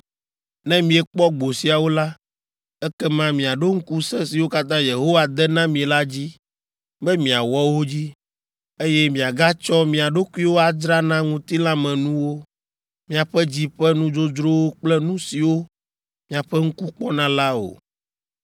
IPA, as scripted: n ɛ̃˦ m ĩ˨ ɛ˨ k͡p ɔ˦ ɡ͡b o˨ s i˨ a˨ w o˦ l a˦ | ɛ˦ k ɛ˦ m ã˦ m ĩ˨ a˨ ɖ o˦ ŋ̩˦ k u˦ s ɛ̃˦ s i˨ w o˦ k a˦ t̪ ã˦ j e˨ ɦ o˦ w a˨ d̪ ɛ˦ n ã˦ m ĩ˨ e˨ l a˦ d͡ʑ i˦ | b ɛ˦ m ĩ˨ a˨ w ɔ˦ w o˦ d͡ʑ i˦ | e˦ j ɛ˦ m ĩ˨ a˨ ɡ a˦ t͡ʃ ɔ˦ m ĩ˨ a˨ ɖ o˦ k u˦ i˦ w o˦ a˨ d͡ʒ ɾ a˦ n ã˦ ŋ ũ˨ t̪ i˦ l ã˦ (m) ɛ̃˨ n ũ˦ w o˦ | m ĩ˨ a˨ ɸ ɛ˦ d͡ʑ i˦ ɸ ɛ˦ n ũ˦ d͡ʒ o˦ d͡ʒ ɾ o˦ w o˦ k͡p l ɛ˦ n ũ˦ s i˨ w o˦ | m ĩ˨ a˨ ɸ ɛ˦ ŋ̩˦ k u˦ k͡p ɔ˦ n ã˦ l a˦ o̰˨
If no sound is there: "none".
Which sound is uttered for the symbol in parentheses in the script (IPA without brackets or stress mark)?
m